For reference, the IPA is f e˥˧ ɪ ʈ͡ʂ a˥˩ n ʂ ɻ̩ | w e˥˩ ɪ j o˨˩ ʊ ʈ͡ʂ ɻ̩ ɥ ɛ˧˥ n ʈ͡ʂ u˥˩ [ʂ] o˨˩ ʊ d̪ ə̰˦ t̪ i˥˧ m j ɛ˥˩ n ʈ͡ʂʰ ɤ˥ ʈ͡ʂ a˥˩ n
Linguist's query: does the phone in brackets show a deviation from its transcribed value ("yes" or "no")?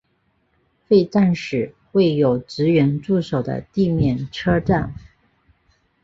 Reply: no